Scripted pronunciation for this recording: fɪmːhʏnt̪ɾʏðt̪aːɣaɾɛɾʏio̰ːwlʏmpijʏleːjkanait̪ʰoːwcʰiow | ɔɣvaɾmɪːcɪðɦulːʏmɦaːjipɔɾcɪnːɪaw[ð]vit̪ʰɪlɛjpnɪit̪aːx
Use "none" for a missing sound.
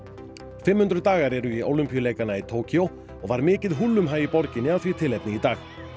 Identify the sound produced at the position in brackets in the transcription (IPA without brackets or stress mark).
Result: θ